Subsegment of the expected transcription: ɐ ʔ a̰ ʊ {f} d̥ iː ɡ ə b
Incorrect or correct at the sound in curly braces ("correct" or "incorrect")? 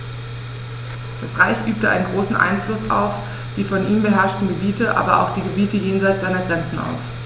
incorrect